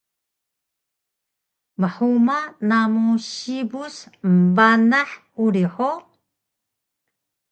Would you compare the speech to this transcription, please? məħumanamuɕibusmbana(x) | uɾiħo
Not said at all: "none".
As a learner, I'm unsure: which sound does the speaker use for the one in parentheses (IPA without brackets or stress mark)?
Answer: ħ